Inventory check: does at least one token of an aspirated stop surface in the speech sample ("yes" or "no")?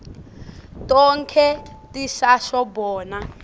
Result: yes